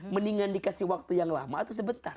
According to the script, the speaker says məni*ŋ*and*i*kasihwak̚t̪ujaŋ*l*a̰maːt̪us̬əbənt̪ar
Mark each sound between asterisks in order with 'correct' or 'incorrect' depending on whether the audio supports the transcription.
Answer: correct, correct, correct

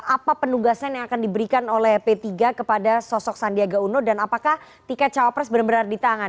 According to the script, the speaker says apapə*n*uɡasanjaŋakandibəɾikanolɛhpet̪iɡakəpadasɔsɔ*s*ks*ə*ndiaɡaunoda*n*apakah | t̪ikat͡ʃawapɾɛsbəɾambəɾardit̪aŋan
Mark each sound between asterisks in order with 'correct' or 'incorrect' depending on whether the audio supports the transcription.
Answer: correct, incorrect: none, incorrect: a, correct

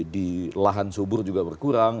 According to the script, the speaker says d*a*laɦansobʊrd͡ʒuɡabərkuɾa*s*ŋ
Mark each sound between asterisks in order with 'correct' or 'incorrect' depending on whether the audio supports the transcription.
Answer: incorrect: i, incorrect: none

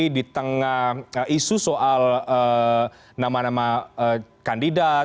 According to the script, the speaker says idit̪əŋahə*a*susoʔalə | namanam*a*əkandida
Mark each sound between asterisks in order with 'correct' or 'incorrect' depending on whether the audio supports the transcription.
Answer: incorrect: i, correct

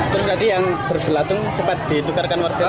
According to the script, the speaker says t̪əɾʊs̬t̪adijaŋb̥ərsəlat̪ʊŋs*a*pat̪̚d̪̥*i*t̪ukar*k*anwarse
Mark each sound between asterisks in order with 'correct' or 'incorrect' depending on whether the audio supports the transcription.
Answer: incorrect: ə, correct, correct

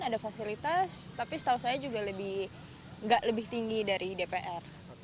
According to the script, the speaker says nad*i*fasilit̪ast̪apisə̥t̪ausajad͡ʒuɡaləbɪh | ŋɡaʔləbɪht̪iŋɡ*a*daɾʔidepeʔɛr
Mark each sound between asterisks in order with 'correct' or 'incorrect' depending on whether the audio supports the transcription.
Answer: incorrect: a, incorrect: i

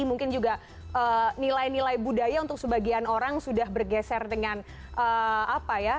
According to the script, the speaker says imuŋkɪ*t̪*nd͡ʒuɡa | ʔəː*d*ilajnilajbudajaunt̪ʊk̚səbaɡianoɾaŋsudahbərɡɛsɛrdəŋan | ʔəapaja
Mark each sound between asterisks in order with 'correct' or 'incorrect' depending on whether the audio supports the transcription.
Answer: incorrect: none, incorrect: n

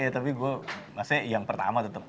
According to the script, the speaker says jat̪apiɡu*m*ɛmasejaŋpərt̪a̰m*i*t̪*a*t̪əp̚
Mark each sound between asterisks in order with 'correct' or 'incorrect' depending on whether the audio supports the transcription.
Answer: incorrect: none, incorrect: a, incorrect: ə

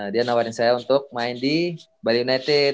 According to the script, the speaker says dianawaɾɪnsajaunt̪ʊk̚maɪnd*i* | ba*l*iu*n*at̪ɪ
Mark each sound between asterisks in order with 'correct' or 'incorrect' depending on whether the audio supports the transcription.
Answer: correct, correct, correct

